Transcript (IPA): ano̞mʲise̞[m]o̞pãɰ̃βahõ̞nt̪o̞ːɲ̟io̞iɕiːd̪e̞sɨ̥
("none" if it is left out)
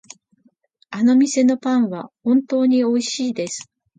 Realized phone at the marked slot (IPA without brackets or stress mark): n